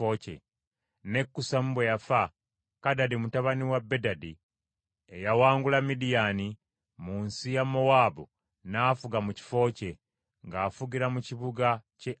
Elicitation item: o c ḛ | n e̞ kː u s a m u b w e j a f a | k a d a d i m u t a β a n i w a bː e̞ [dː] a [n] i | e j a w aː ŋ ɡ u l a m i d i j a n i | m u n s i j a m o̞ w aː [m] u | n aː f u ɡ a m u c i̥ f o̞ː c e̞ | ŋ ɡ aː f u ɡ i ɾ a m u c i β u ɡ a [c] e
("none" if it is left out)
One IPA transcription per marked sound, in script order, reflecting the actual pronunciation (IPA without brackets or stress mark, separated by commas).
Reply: d, d, b, c